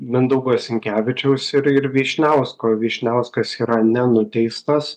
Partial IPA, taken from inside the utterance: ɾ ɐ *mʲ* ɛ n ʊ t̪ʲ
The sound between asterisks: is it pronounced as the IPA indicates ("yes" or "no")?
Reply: no